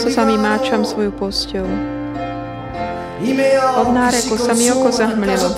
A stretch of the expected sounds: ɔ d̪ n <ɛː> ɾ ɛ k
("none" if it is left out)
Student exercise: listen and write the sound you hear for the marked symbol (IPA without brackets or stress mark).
aː